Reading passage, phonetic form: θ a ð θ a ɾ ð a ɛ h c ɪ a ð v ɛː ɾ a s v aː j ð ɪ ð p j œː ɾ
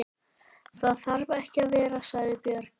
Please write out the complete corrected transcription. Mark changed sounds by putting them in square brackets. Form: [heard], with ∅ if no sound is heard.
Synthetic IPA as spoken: θ a ð θ a ɾ [v] a ɛ h c ɪ a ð v ɛː ɾ a s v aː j ð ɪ [∅] p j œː ɾ